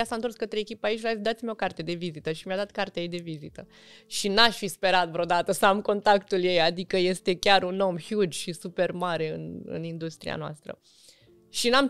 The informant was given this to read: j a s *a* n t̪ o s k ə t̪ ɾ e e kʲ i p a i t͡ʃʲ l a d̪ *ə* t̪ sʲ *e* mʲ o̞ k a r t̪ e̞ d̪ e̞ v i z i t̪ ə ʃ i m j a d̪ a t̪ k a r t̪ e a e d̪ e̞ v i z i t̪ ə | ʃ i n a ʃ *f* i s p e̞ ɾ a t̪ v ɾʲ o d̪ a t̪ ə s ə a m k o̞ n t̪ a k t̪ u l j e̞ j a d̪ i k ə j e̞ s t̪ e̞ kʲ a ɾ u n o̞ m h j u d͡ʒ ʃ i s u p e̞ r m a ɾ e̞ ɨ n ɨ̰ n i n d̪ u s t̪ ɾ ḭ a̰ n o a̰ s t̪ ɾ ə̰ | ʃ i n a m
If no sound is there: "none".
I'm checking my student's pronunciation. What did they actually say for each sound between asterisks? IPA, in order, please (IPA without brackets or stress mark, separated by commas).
a, a, i, f